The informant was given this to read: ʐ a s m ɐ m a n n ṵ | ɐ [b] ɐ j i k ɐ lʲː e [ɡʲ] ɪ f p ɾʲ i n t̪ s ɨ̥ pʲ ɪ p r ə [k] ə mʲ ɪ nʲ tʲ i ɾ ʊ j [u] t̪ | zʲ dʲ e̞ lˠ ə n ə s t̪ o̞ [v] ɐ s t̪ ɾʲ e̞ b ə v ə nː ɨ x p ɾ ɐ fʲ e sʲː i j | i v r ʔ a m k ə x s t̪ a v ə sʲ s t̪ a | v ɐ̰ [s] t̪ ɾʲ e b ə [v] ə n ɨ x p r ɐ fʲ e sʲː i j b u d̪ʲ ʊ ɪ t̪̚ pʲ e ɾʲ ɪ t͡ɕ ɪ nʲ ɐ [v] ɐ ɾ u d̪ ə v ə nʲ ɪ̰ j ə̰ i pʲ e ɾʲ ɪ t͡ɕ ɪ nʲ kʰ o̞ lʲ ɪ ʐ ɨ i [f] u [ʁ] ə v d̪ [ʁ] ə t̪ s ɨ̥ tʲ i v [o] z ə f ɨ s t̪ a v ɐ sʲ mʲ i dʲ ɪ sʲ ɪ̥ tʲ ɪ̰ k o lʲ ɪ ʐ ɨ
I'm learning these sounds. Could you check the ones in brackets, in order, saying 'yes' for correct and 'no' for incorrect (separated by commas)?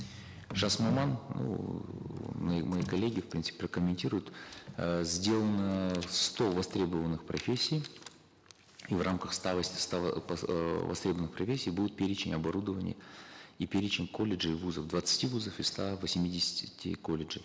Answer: no, yes, yes, no, yes, yes, yes, no, no, no, no, no